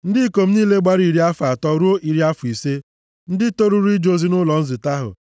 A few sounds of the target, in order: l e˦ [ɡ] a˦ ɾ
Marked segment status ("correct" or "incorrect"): incorrect